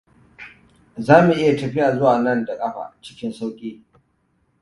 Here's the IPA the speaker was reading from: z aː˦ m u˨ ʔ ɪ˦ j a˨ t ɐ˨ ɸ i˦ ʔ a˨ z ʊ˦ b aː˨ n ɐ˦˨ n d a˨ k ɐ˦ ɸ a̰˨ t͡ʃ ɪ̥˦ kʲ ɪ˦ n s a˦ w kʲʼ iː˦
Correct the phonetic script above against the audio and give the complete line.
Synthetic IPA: z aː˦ m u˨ ʔ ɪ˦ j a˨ t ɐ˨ ɸ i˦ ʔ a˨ z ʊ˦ w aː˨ n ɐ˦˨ n d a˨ kʼ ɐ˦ ɸ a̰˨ t͡ʃ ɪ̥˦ kʲ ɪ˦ n s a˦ w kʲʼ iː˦

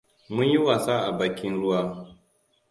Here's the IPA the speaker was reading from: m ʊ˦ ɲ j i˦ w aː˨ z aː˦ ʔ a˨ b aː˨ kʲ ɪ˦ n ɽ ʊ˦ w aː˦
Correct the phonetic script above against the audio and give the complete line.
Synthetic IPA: m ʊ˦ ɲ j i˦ w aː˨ s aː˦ ʔ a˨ b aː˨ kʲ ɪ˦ n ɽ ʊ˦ w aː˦

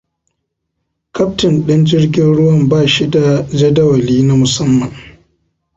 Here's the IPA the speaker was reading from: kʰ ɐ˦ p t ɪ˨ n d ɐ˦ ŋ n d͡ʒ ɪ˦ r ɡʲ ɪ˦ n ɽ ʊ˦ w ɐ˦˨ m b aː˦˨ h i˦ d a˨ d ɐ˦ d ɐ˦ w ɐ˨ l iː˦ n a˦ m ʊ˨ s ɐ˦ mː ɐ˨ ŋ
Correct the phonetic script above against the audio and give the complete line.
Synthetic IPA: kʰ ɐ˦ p t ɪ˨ n ɗ ɐ˦ n d͡ʒ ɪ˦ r ɡʲ ɪ˦ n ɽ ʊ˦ w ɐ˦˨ m b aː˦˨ ʃ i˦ d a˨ d͡ʒ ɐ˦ d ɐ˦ w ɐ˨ l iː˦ n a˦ m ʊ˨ s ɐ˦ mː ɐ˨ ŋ

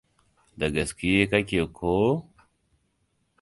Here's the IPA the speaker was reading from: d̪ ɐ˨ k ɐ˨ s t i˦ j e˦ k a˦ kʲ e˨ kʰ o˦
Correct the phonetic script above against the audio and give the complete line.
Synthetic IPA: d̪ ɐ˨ ɡ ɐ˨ s k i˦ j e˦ k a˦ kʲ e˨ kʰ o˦

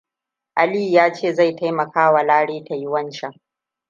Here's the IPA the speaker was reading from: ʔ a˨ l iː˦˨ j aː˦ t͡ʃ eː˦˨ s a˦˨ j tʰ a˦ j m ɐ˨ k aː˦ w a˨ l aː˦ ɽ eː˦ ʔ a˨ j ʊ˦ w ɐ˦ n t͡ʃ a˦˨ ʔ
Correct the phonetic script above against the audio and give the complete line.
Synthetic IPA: ʔ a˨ l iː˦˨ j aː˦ t͡ʃ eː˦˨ z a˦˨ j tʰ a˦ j m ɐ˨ k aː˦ w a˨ l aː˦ ɽ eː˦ t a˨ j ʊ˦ w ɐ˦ n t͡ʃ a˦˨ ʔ

